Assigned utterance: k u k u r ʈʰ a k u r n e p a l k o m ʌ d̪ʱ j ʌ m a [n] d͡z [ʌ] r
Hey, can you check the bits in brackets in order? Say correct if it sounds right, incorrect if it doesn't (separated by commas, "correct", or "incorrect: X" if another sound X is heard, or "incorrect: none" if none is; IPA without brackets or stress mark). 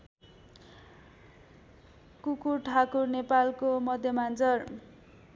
correct, correct